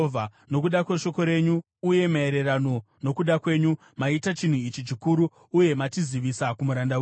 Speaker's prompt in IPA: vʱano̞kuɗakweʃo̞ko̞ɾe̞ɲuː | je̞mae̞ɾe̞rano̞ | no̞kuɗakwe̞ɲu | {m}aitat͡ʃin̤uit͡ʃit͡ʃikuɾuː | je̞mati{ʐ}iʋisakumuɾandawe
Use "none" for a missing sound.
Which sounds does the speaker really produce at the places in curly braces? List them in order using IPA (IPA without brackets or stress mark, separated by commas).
m, z